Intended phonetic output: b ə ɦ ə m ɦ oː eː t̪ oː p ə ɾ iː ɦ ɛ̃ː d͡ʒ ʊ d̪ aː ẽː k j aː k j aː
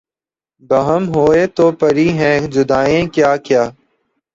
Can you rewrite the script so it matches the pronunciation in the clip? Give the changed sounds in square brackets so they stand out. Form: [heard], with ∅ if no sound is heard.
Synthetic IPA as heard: b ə ɦ ə m ɦ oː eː t̪ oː p ə ɾ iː ɦ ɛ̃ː d͡ʒ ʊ d̪ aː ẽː k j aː k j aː